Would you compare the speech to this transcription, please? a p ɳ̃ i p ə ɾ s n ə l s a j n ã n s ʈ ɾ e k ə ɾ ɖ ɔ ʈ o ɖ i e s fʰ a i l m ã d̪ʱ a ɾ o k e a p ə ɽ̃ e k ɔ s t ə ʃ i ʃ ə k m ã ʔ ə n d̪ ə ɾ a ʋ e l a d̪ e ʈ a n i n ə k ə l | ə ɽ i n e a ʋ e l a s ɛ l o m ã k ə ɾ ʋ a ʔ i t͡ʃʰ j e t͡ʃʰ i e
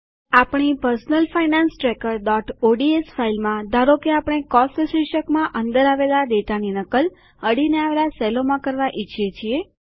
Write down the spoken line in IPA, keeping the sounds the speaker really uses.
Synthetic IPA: a p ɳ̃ i p ə ɾ s n ə l f a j n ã n s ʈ ɾ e k ə ɾ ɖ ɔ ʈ o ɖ i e s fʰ a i l m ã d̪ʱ a ɾ o k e a p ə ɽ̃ e k ɔ s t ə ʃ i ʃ ə k m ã ʔ ə n d̪ ə ɾ a ʋ e l a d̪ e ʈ a n i n ə k ə l | ə ɽ i n e a ʋ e l a s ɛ l o m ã k ə ɾ ʋ a ʔ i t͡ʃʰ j e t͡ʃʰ i e